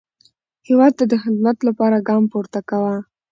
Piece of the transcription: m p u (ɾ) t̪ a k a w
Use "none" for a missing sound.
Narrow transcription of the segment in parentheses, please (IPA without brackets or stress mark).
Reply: ɾ